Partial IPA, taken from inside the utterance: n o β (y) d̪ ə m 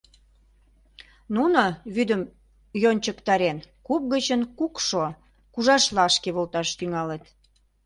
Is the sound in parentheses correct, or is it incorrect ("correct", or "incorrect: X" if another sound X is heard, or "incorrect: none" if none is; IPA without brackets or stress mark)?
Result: correct